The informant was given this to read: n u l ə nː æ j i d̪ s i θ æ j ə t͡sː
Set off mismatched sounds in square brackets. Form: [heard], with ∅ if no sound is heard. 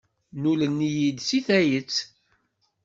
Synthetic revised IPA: n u l ə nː [i] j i d̪ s i θ æ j ə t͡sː